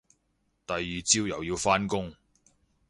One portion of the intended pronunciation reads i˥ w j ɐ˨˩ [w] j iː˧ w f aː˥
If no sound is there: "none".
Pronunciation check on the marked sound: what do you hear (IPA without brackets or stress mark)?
w